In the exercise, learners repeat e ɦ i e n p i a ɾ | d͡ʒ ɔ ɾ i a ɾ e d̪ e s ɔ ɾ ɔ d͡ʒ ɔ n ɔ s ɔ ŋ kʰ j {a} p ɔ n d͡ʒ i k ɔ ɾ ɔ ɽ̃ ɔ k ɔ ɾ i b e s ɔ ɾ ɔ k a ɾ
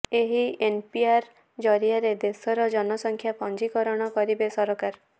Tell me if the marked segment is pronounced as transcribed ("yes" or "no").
yes